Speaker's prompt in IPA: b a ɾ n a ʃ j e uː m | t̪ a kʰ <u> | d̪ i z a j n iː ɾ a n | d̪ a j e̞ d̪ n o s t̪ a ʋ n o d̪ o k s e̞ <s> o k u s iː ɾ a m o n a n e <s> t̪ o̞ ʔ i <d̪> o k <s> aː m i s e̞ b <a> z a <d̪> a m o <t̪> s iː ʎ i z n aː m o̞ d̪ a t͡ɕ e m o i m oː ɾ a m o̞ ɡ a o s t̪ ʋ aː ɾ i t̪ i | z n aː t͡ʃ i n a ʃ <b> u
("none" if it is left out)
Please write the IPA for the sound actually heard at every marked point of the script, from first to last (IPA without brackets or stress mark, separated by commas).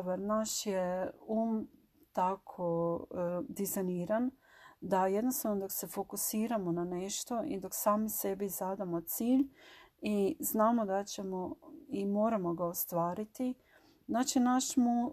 o, f, ʃ, d̪, s, i, d̪, t̪, m